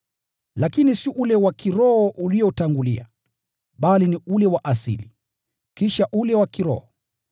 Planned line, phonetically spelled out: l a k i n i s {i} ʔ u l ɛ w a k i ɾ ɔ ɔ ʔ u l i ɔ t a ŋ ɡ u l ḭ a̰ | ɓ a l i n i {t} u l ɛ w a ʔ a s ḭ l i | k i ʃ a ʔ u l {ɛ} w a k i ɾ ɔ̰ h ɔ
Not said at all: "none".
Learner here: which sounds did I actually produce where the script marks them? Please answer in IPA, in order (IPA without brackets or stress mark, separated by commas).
i, none, ɛ